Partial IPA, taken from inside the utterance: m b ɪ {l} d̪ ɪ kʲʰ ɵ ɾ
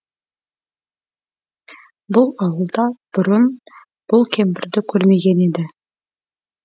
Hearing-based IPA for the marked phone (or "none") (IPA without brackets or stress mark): ɾ